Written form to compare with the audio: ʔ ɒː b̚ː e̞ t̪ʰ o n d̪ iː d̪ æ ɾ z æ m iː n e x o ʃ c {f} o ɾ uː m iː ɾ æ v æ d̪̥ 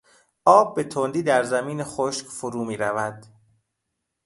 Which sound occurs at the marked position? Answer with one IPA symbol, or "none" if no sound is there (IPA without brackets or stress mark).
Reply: f